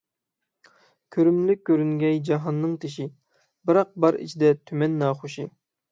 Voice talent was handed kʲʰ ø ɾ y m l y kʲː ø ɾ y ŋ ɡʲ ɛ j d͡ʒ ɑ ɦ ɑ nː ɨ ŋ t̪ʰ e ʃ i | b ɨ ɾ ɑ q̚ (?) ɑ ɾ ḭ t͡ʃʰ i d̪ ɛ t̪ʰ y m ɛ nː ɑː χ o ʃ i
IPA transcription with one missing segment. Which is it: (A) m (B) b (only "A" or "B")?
B